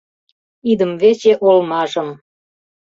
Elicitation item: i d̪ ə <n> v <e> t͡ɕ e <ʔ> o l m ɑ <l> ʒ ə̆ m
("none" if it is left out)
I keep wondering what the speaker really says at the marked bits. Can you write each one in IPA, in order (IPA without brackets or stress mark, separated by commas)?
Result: m, e, ʔ, none